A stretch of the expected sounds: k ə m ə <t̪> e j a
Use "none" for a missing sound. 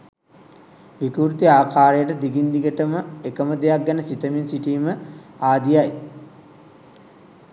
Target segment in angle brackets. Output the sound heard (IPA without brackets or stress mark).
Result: d̪